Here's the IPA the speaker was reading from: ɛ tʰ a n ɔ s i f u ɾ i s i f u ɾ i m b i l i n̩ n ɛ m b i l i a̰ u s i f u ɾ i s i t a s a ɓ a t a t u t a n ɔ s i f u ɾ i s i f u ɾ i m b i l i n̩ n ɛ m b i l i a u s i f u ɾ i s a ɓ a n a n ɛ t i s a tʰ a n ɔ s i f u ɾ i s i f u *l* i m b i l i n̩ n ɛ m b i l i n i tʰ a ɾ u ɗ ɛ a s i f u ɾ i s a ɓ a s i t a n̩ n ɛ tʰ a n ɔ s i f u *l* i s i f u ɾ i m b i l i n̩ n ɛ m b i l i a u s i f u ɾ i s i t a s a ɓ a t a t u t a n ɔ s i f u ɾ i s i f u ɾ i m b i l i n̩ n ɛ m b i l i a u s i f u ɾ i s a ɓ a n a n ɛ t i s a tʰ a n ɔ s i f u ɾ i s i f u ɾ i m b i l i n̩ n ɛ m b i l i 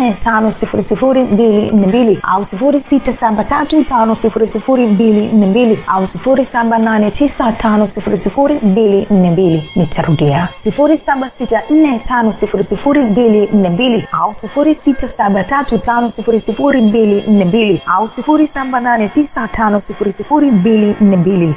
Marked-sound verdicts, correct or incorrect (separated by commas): incorrect, incorrect